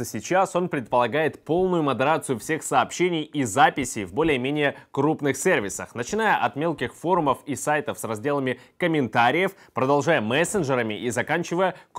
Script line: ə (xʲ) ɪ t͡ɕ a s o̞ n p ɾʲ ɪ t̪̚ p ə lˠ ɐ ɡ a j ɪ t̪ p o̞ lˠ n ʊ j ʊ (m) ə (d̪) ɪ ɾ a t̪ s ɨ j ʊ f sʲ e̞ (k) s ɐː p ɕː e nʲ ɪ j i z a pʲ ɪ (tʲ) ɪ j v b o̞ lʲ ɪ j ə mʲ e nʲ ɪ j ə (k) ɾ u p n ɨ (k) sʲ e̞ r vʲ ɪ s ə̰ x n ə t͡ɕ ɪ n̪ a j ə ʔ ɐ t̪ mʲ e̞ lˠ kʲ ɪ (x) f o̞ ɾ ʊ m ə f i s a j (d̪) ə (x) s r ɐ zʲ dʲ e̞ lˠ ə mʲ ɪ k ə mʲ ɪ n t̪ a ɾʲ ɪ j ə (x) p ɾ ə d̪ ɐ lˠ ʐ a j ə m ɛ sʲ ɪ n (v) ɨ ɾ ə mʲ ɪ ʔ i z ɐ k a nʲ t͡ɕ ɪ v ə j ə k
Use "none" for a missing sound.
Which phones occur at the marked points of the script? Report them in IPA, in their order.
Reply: sʲ, m, d̪, x, sʲ, k, x, x, t̪, f, f, ʐ

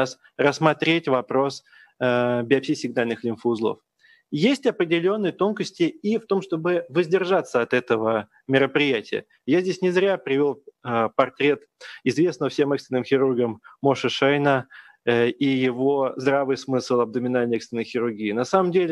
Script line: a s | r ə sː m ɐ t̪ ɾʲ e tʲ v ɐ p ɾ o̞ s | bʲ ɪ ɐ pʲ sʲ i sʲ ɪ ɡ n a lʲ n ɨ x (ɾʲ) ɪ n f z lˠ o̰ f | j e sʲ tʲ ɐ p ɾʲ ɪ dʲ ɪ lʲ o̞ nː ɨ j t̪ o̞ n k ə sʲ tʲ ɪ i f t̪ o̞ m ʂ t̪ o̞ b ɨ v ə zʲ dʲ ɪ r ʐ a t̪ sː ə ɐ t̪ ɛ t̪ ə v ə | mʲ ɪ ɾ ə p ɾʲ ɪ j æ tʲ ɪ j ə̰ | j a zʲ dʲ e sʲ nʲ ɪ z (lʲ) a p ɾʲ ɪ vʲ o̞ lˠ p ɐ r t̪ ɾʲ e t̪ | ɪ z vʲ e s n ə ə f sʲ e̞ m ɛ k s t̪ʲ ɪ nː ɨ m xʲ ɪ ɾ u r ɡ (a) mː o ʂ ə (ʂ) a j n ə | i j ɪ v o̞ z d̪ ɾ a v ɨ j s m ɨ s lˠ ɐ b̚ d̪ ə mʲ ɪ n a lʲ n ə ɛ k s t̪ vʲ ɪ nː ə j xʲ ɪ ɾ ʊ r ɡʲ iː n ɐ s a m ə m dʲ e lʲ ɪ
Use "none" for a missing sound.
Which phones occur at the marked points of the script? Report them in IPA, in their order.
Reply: lʲ, ɾʲ, ə, ʂ

